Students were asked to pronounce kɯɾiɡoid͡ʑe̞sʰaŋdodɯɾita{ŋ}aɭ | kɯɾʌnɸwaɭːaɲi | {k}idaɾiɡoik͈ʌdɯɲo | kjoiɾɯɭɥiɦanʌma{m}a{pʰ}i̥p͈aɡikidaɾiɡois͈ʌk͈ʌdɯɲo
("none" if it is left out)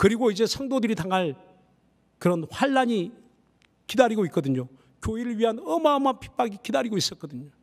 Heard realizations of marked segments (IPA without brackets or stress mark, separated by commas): ŋ, k, m, pʰ